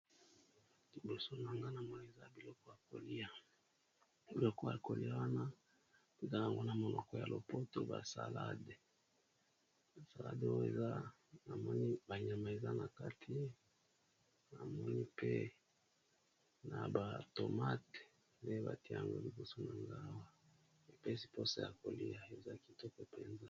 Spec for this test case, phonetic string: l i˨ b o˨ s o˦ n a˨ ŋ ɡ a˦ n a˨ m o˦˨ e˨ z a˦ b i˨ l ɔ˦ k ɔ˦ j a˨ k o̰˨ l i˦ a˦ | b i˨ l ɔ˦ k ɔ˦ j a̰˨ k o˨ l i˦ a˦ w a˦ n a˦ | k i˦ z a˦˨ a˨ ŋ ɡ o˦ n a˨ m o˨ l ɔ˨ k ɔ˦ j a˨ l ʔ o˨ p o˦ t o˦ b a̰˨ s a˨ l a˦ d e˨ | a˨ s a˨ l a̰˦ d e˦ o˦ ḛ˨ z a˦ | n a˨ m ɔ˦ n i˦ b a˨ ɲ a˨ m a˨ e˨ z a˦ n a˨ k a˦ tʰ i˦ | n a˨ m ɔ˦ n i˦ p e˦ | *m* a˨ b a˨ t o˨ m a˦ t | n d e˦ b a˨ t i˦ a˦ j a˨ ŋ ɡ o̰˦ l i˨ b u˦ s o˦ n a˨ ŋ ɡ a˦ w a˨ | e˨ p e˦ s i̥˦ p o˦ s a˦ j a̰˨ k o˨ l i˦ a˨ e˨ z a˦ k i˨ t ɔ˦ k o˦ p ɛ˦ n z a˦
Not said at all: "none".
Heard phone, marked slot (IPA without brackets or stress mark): n